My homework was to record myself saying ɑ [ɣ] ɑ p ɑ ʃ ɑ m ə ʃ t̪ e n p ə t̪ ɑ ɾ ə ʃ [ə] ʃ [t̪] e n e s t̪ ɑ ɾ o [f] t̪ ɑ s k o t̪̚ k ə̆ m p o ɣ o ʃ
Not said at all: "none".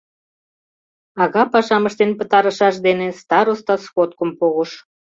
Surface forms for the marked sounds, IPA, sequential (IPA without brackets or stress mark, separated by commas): ɣ, ɑ, d̪, s